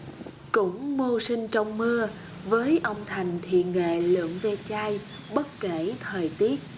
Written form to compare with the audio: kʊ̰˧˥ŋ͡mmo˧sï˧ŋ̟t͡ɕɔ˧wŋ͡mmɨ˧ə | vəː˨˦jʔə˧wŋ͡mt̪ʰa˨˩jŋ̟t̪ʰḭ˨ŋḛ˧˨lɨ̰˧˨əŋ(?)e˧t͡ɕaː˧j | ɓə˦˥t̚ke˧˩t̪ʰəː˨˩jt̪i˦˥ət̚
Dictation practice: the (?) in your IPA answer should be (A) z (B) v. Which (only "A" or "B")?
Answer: B